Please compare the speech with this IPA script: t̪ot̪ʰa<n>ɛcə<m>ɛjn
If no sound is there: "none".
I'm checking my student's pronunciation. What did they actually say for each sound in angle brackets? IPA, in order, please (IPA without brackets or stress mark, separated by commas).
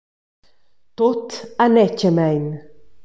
n, m